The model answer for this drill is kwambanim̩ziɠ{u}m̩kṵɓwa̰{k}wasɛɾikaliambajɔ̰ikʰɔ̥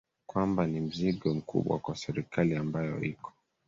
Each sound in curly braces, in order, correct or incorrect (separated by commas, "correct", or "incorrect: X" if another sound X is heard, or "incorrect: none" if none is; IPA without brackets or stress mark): incorrect: ɔ, correct